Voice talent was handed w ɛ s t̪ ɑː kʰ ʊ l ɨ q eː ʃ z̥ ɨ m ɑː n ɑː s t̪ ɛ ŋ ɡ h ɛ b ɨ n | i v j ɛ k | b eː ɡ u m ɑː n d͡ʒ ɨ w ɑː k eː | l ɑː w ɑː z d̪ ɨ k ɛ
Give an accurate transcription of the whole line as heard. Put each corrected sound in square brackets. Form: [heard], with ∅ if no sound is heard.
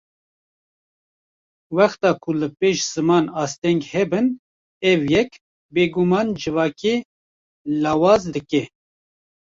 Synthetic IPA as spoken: w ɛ [x] t̪ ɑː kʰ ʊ l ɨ [p] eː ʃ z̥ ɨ m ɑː n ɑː s t̪ ɛ ŋ ɡ h ɛ b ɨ n | [ɛ] v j ɛ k | b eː ɡ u m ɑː n d͡ʒ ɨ [v] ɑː k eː | l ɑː w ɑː z d̪ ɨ k ɛ